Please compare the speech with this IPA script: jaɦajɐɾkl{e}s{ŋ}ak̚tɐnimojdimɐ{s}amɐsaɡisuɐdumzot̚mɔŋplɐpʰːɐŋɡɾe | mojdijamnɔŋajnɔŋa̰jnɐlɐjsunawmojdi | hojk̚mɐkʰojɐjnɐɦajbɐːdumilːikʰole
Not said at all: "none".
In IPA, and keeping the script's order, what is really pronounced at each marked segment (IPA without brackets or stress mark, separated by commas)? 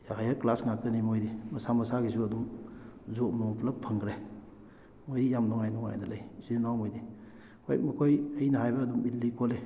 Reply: a, ŋ, s